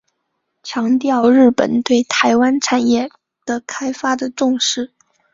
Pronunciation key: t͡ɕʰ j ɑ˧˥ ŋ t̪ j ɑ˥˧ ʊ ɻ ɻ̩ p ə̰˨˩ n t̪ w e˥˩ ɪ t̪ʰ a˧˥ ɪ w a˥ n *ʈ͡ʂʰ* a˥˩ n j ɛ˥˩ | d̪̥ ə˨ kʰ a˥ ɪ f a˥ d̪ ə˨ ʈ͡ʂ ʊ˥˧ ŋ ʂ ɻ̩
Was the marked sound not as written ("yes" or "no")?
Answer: no